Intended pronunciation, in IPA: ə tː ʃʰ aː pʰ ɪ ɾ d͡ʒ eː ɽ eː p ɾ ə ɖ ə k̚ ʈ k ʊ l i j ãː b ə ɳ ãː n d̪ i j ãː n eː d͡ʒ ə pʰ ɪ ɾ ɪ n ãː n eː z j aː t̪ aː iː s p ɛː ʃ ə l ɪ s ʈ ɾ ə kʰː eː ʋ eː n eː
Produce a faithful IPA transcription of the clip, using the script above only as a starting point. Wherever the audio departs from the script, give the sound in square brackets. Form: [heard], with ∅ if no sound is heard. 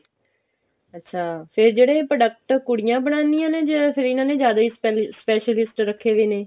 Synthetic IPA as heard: ə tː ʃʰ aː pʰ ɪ ɾ d͡ʒ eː ɽ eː p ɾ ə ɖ ə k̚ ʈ k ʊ [ɽ] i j ãː b ə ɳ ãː n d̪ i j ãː n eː d͡ʒ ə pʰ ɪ ɾ ɪ n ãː n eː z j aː [d̪] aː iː s p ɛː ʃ ə l ɪ s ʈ ɾ ə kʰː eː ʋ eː n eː